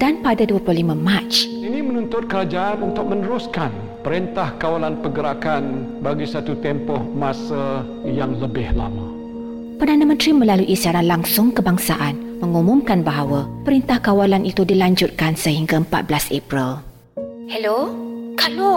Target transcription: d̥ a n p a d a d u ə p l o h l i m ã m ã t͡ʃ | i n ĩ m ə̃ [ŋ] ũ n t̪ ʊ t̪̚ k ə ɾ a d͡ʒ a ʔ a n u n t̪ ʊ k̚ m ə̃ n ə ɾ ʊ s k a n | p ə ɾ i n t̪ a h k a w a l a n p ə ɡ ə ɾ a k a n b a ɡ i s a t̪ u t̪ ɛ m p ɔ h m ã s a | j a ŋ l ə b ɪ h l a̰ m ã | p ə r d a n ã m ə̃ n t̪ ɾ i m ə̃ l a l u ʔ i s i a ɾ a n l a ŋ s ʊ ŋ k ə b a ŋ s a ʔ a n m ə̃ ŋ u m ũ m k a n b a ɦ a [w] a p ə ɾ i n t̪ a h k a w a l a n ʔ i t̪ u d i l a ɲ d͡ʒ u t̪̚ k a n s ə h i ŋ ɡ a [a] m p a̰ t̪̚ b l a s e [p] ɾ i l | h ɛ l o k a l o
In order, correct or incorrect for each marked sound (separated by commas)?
incorrect, correct, incorrect, correct